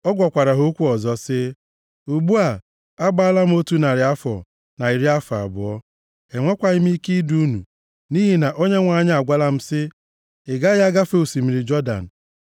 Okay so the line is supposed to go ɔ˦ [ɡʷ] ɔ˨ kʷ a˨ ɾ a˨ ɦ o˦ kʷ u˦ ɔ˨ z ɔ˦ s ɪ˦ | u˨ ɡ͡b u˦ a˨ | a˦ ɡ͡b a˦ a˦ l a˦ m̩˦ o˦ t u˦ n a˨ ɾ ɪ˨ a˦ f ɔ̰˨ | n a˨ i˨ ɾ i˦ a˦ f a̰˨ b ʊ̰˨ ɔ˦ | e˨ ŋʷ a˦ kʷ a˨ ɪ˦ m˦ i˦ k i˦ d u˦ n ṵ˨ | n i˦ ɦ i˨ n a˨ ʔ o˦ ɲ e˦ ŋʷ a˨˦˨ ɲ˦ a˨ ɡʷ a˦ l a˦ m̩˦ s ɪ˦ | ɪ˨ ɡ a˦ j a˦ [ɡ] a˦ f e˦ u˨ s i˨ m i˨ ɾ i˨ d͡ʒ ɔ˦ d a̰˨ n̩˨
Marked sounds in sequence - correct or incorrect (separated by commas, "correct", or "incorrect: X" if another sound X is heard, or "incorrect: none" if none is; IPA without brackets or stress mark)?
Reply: correct, correct